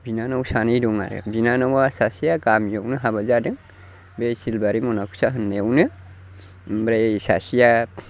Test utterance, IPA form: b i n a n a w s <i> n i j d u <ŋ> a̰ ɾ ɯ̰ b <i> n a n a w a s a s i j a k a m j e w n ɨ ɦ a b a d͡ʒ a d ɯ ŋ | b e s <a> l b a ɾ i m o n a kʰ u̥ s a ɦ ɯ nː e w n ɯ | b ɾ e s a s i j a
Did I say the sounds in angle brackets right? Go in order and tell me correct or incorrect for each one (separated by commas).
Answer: incorrect, correct, correct, incorrect